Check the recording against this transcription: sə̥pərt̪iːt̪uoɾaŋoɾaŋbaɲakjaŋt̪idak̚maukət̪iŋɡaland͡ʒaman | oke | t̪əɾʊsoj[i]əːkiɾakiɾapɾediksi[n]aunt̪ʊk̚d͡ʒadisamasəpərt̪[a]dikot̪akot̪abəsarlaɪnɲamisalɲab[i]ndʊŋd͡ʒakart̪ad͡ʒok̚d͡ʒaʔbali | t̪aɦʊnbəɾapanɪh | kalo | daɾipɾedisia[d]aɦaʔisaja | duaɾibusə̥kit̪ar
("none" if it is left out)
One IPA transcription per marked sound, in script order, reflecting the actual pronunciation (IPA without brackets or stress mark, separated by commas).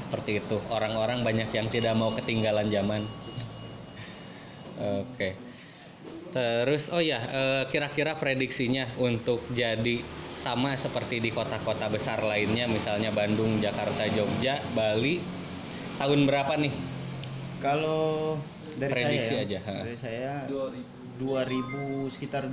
a, ɲ, i, a, d͡ʒ